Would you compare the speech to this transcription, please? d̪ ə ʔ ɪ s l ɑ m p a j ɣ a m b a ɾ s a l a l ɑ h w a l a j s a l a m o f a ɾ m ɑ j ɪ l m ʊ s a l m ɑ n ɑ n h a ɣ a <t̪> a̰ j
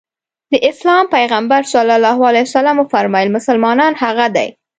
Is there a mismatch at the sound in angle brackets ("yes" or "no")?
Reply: yes